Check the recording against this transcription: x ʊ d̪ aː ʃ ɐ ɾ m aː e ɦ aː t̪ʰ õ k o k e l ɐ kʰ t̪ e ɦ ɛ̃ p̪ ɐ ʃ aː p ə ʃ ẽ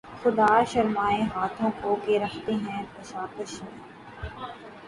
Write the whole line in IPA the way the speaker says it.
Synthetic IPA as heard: x ʊ d̪ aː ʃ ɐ ɾ m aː e ɦ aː t̪ʰ õ k o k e ɾ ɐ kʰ t̪ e ɦ ɛ̃ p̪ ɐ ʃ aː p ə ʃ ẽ